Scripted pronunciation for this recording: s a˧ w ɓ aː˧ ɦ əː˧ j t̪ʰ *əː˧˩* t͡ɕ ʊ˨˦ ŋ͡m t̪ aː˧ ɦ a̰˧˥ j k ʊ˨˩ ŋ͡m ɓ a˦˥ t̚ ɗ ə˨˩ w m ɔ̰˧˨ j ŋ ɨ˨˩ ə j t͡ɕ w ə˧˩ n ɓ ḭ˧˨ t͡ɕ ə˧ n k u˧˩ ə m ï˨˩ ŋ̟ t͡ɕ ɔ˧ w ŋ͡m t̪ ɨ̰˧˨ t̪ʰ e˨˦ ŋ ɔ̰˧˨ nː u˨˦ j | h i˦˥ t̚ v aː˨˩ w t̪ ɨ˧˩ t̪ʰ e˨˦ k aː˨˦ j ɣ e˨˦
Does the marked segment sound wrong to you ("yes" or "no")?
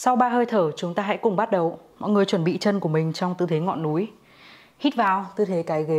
no